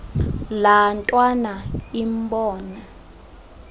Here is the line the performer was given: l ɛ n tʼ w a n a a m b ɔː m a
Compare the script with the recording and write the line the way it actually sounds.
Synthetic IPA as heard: l a n tʼ w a n a i m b ɔː n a